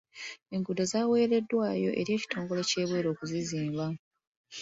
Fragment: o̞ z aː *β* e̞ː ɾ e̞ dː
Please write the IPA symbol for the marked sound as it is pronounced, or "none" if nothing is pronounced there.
w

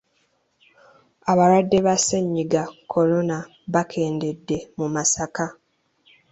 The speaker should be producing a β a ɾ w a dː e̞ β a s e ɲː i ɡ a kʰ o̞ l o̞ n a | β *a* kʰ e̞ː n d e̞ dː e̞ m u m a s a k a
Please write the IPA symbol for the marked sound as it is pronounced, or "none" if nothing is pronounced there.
a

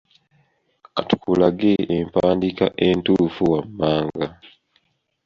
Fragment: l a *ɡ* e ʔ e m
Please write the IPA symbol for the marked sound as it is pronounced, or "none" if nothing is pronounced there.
ɡ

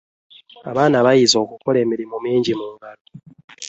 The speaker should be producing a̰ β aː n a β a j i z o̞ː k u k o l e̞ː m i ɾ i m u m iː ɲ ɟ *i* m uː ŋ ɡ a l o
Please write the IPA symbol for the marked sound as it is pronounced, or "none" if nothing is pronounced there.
i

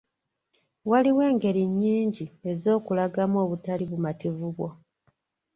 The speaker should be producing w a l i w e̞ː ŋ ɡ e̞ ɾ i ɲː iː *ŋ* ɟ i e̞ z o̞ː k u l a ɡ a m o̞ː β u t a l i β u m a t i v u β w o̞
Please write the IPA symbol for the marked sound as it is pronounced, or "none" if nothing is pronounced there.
ɲ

